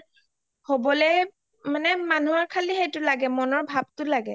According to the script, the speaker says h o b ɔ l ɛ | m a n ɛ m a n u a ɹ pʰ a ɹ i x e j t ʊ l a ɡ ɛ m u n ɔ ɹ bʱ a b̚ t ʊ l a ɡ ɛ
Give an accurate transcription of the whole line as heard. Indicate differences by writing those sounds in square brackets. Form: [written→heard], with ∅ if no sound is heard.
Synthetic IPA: h o b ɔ l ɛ | m a n ɛ m a n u a ɹ [pʰ→kʰ] a [ɹ→l] i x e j t ʊ l a ɡ ɛ m [u→ɔ] n ɔ ɹ bʱ a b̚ t ʊ l a ɡ ɛ